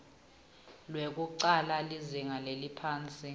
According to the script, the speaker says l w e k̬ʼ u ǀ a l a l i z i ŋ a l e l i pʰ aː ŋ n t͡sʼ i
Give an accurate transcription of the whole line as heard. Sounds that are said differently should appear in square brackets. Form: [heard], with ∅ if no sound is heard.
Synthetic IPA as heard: l w e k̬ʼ u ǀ a l a l i z i ŋ a l e l i pʰ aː [∅] n t͡sʼ i